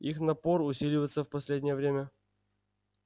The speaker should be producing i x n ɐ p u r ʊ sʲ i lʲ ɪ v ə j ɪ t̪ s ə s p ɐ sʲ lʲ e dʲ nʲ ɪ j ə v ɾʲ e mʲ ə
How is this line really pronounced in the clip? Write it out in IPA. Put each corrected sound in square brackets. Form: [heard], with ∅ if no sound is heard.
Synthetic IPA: i x n ɐ p [o] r ʊ sʲ i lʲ ɪ v ə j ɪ t̪ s ə [f] p ɐ sʲ lʲ e dʲ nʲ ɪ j ə v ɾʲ e mʲ ə

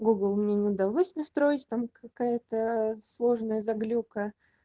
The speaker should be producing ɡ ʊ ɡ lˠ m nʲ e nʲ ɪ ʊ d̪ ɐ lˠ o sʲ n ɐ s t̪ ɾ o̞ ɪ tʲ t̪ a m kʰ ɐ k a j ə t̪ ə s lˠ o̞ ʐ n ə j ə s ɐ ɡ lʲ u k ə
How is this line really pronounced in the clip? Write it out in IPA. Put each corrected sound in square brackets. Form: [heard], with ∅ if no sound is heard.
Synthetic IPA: ɡ [u] ɡ lˠ m nʲ e nʲ ɪ ʊ d̪ ɐ lˠ o sʲ n ɐ s t̪ ɾ o̞ ɪ tʲ t̪ a m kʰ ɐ k a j ə t̪ ə s lˠ o̞ ʐ n ə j ə [z] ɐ ɡ lʲ u k ə

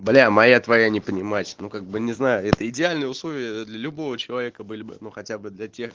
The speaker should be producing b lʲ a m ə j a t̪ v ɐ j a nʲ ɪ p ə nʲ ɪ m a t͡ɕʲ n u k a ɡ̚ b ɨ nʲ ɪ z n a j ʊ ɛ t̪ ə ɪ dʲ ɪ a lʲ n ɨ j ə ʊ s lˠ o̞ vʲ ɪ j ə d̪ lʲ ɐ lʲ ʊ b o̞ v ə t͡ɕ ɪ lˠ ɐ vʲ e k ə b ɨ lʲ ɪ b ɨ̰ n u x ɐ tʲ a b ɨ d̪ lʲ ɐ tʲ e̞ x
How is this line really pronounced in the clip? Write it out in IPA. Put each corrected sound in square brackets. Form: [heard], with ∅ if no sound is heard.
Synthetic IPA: b lʲ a m [ɐ] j a t̪ v ɐ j a nʲ ɪ p ə nʲ ɪ m a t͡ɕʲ n u k a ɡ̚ b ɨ nʲ ɪ z n a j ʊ ɛ t̪ ə ɪ dʲ ɪ a lʲ n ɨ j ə ʊ s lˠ o̞ vʲ ɪ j ə d̪ lʲ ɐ lʲ ʊ b o̞ v ə t͡ɕ ɪ lˠ ɐ vʲ e k ə b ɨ lʲ ɪ b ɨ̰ n u x ɐ tʲ a b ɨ d̪ lʲ ɐ tʲ e̞ x

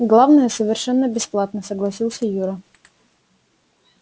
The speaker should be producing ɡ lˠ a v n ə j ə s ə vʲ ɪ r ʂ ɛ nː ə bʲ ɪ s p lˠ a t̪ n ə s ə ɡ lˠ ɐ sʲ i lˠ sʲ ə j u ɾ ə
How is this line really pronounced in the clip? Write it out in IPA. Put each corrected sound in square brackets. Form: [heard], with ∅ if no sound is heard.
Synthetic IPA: ɡ lˠ a v n ə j ə s ə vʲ ɪ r ʂ ɛ nː ə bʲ ɪ s p lˠ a t̪ n ə s ə ɡ lˠ ɐ sʲ i lˠ sʲ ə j u ɾ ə

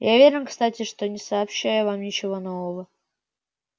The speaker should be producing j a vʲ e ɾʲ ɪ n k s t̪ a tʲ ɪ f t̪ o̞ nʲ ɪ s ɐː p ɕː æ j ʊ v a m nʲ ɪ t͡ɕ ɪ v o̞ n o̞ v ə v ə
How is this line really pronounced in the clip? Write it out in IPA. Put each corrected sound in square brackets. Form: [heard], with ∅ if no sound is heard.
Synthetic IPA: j a vʲ e ɾʲ ɪ n k s t̪ a tʲ ɪ [ʂ] t̪ o̞ nʲ ɪ s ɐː p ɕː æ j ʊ v a m nʲ ɪ t͡ɕ ɪ v o̞ n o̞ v ə v ə

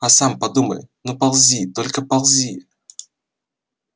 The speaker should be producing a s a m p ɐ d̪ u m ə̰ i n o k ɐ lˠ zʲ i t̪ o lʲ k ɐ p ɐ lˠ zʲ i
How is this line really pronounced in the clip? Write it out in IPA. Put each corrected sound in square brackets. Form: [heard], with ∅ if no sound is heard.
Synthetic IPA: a s a m p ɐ d̪ u m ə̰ [j] n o [p] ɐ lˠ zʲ i t̪ o lʲ k [ə] p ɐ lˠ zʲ i

